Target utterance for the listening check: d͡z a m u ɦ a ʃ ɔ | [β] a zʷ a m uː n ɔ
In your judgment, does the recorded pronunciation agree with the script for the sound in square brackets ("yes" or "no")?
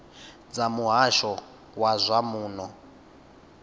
no